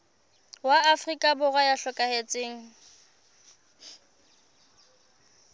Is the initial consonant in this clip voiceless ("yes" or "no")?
no